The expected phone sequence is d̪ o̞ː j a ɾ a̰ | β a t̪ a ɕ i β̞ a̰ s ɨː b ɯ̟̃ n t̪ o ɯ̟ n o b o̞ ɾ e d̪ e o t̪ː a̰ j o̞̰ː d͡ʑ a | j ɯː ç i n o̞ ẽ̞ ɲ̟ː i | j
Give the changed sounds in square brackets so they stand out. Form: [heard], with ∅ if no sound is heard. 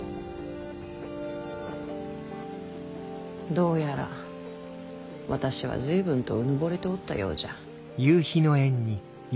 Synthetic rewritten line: d̪ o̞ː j a ɾ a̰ | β a t̪ a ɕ i β̞ a̰ [z] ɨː b ɯ̟̃ n t̪ o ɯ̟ n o b o̞ ɾ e [t̪] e o t̪ː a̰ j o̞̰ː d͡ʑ a | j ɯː ç i n o̞ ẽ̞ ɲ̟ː i | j